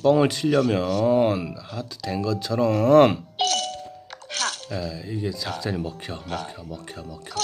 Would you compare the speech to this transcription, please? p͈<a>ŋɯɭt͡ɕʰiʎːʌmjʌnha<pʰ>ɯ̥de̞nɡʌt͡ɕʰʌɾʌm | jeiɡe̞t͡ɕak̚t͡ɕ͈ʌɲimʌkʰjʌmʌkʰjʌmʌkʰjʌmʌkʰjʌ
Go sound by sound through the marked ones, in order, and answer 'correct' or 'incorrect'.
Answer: incorrect, incorrect

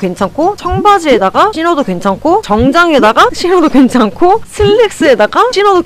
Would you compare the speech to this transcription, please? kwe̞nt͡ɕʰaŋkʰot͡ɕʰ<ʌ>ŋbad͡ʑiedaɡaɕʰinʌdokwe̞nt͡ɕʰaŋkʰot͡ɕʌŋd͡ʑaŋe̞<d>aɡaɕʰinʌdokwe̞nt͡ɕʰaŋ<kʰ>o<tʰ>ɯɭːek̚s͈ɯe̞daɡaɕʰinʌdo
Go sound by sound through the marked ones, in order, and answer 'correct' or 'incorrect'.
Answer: correct, correct, correct, incorrect

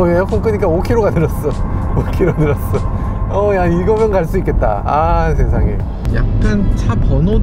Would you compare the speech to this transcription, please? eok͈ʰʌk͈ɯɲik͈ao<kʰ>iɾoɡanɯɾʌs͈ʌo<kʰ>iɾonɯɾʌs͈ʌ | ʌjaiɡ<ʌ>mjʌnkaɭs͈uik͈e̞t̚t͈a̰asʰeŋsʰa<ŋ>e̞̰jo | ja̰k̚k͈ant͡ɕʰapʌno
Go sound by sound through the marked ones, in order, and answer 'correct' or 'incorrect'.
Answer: correct, correct, correct, correct

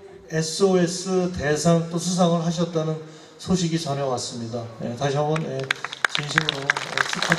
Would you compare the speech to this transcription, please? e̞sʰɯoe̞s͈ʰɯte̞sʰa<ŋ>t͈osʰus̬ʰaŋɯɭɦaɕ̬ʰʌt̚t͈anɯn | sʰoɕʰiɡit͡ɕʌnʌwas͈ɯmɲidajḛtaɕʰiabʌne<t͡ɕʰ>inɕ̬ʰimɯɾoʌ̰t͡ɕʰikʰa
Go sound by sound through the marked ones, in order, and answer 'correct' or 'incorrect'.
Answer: correct, incorrect

